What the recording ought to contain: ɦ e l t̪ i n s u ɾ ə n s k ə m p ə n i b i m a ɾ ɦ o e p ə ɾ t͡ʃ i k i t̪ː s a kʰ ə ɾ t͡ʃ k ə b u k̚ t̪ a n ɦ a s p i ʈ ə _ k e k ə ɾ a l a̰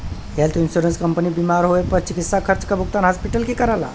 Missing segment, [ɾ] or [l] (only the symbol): l